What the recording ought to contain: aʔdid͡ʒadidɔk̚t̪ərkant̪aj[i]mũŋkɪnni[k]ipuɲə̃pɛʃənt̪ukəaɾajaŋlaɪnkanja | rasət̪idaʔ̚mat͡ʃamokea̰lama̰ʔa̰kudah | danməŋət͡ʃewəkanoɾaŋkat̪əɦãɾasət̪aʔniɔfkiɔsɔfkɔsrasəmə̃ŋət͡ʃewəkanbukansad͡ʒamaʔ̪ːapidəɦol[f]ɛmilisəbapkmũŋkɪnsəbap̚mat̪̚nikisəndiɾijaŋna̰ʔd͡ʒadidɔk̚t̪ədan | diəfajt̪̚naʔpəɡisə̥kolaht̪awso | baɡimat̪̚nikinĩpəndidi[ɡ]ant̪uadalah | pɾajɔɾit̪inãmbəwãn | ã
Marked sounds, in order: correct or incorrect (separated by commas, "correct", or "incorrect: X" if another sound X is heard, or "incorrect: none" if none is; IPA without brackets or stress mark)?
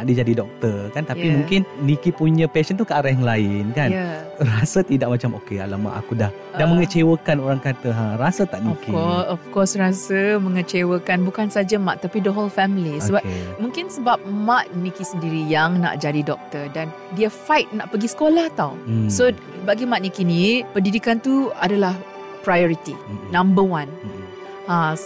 correct, correct, correct, incorrect: k